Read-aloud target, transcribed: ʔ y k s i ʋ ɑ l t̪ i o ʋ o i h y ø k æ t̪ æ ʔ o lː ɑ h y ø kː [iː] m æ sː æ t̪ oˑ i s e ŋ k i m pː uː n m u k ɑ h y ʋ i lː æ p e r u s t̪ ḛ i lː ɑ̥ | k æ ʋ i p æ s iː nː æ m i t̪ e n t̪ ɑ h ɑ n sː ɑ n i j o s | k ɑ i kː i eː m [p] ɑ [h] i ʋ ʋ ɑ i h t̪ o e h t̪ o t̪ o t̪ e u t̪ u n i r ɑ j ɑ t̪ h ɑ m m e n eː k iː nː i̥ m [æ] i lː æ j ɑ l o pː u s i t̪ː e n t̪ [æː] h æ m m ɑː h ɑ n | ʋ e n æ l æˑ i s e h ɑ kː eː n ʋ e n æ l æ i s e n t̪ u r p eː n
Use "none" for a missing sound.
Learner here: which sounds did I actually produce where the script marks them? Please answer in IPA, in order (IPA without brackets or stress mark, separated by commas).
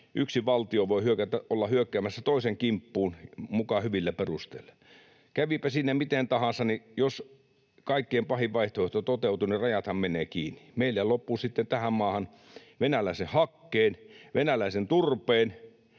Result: æː, p, h, e, æ